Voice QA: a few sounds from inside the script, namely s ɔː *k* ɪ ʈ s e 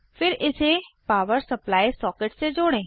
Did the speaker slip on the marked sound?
no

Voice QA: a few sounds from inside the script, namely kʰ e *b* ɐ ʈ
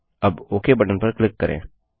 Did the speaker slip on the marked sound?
no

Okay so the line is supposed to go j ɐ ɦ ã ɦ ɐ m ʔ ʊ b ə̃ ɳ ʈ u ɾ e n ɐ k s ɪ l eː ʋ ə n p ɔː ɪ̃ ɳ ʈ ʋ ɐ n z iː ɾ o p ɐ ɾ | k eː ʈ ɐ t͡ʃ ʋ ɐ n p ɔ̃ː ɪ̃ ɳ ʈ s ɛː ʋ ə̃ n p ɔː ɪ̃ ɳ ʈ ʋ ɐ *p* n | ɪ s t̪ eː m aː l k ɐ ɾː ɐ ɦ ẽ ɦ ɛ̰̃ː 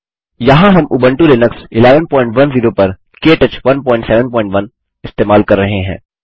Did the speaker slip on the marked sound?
yes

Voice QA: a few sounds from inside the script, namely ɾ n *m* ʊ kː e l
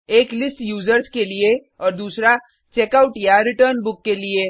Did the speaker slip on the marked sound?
yes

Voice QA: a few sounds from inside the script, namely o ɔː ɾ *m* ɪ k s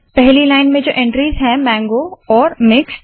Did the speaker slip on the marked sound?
no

